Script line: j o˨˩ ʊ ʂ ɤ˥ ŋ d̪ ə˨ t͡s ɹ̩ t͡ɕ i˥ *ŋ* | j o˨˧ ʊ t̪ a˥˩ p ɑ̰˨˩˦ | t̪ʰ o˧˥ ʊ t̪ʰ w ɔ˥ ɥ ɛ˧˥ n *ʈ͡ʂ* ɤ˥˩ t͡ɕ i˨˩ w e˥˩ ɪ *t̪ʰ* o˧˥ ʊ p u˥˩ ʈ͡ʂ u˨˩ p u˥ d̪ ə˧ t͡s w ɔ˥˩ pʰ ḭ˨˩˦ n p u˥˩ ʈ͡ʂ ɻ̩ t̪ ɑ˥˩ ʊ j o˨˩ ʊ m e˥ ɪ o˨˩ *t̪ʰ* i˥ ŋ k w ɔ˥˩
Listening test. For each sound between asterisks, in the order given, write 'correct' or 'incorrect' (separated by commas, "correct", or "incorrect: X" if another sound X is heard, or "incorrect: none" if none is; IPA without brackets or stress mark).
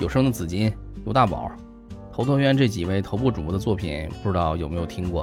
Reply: incorrect: n, correct, correct, correct